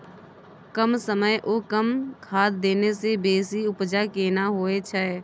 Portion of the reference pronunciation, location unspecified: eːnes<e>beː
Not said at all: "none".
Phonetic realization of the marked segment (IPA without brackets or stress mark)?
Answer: e